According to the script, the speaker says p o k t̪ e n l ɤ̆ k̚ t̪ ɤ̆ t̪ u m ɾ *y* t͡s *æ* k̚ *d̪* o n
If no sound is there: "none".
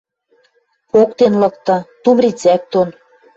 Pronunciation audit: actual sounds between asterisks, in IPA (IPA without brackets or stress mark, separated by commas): i, æ, t̪